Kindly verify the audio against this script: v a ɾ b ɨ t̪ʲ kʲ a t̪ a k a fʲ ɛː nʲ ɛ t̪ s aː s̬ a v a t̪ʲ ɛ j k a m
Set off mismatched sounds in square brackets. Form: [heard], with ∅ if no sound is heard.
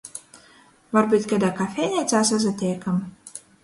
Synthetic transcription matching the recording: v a ɾ b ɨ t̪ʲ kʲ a [d̪] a k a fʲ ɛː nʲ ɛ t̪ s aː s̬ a [z] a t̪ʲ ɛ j k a m